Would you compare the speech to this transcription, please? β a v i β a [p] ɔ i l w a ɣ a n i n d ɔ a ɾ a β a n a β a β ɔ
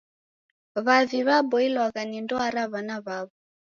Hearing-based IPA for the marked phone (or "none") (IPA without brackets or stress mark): b